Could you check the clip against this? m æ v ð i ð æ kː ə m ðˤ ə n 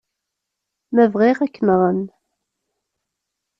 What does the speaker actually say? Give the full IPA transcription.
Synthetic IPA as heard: m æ v ʁ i ʁ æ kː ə n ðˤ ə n